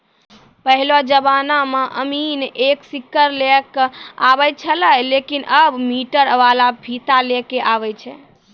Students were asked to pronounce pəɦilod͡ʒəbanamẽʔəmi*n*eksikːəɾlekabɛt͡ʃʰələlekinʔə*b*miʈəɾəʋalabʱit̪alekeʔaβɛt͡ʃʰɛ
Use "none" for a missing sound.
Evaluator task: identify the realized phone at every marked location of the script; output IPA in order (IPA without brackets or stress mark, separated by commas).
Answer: n, b